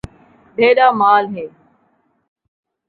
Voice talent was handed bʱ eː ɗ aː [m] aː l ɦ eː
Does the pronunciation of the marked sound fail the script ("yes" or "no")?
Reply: no